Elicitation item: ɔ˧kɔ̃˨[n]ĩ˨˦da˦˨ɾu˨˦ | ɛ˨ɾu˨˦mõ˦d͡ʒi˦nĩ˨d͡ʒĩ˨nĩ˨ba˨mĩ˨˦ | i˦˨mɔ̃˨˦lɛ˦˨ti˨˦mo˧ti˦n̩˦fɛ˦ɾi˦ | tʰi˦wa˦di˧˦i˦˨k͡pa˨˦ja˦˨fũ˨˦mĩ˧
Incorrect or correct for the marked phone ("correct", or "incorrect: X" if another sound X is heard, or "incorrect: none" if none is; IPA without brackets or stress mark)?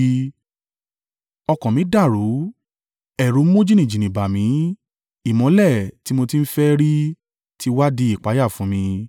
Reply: incorrect: m